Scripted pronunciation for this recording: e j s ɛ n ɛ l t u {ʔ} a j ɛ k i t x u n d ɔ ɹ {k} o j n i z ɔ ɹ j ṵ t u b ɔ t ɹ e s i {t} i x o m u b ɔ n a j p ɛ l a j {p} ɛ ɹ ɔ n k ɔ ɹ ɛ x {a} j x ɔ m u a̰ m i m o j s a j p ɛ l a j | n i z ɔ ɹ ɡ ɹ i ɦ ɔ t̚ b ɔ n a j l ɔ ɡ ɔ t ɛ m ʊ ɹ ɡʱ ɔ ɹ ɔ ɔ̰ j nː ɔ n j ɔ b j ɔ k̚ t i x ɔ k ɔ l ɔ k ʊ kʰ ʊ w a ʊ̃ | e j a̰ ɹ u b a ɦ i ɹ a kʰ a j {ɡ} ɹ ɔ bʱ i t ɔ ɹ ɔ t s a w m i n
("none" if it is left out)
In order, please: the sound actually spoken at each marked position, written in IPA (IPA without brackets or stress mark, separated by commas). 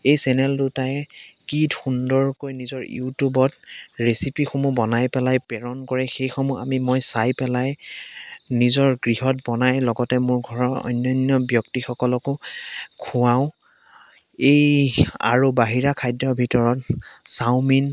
t, k, p, p, e, d